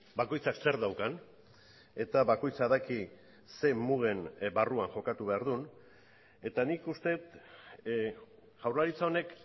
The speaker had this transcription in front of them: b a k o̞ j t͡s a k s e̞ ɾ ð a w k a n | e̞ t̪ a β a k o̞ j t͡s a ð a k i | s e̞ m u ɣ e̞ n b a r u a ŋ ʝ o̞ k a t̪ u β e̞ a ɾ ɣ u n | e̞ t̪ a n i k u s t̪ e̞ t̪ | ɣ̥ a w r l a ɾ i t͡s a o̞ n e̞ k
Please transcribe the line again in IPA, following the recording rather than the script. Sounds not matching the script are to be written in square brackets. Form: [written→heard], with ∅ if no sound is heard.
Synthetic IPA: b a k o̞ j t͡s a k s e̞ ɾ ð a w k a n | e̞ t̪ a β a k o̞ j t͡s a ð a k i | s e̞ m u ɣ e̞ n b a r u a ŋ ʝ o̞ k a t̪ u β e̞ a ɾ [ɣ→ð] u n | e̞ t̪ a n i k u s t̪ e̞ t̪ | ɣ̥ a w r l a ɾ i t͡s a o̞ n e̞ k